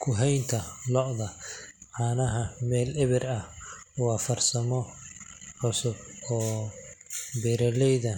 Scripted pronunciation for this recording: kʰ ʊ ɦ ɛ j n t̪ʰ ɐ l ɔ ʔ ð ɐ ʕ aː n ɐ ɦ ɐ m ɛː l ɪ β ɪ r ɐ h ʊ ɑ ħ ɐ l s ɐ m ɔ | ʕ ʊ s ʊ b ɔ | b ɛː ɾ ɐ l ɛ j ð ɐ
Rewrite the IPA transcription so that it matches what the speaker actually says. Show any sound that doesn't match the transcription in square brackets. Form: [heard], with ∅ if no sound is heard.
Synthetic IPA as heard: kʰ ʊ ɦ ɛ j n t̪ʰ ɐ l ɔ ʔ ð ɐ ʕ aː n ɐ ɦ ɐ m ɛː l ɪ β ɪ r ɐ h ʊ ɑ [f] ɐ [r] s ɐ m ɔ | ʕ ʊ s ʊ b [ɔː] | b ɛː ɾ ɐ l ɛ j ð ɐ